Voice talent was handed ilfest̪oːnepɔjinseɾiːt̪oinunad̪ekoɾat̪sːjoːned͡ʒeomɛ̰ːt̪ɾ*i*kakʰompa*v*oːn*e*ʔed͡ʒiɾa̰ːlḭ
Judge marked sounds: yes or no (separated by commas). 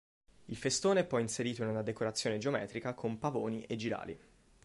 yes, yes, no